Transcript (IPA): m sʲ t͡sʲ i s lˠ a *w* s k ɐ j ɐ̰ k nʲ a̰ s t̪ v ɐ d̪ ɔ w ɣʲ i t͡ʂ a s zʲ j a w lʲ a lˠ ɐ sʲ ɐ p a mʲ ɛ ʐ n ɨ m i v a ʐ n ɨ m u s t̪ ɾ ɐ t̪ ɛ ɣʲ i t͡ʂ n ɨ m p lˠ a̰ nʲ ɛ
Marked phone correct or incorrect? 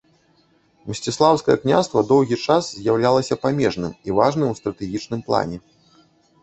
correct